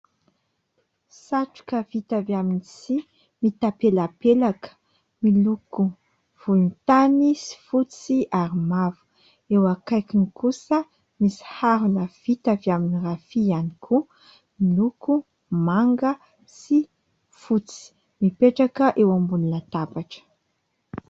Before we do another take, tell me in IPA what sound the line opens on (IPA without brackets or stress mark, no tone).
s